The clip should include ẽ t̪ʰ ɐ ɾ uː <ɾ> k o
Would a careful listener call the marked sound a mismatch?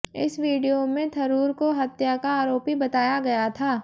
no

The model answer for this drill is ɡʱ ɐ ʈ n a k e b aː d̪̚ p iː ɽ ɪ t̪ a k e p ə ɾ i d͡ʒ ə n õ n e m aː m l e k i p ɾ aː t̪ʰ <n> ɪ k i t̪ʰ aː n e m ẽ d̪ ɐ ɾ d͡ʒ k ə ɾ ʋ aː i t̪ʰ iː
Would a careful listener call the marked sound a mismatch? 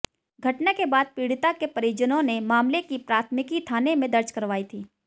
yes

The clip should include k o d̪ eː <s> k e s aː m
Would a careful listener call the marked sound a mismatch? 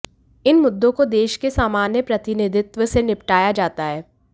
yes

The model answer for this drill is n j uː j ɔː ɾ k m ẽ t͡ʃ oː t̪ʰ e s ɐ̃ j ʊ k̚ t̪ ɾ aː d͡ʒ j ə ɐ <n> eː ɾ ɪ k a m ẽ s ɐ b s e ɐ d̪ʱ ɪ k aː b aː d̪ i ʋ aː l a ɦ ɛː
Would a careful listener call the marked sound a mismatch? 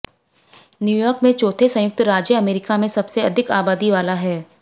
yes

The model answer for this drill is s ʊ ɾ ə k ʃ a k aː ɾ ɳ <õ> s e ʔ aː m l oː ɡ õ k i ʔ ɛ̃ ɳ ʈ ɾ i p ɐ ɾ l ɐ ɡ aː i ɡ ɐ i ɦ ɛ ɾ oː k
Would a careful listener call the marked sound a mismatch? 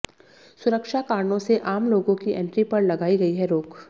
no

